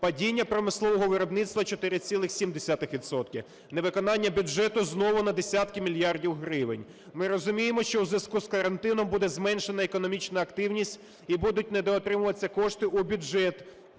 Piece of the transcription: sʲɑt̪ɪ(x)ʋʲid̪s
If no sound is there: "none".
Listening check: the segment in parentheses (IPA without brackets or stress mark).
x